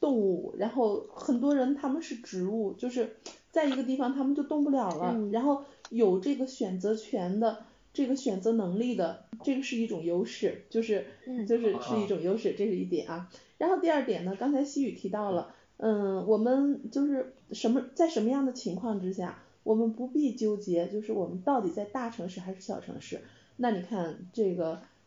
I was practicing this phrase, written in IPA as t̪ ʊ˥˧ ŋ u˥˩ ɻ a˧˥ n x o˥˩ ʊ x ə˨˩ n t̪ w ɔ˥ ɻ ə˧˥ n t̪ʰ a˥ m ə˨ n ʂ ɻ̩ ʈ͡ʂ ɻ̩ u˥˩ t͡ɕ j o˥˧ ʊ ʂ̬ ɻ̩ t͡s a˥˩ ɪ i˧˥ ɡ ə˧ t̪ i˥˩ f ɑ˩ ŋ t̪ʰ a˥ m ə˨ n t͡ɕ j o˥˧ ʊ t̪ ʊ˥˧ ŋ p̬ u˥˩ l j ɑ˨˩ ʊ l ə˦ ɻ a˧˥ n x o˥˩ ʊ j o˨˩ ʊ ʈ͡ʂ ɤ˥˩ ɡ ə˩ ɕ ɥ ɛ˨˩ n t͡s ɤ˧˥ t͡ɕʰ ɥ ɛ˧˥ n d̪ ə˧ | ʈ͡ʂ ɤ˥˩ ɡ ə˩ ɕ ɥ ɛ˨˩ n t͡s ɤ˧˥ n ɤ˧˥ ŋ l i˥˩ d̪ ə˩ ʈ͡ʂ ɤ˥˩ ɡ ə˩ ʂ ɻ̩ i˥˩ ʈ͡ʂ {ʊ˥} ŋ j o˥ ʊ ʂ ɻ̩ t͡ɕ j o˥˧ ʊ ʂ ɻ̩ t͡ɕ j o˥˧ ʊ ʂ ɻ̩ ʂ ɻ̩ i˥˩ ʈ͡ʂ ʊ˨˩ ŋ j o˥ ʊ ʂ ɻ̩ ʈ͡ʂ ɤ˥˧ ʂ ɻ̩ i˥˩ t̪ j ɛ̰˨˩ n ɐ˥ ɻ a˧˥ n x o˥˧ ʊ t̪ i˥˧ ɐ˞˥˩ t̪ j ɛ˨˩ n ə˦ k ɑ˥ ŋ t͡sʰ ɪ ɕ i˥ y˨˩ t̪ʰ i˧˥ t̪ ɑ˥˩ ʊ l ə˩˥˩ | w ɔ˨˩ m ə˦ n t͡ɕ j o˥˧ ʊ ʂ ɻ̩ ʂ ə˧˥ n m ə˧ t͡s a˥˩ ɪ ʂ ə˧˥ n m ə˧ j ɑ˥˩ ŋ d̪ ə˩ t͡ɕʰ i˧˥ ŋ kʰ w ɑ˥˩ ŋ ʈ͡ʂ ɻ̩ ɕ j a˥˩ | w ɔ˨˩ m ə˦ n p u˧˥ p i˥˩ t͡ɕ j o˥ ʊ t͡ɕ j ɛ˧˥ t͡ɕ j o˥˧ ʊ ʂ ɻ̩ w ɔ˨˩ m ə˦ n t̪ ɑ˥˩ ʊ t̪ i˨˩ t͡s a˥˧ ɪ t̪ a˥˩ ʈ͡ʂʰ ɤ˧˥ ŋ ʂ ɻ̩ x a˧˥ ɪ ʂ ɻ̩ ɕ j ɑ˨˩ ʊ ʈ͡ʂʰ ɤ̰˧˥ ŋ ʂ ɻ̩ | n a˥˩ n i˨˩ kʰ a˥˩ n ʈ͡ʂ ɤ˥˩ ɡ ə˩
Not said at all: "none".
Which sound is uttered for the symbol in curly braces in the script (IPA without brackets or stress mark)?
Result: ʊ˨˩